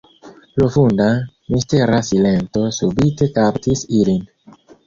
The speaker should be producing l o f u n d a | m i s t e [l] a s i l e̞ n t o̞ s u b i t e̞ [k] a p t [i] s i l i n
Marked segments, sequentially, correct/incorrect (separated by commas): incorrect, correct, correct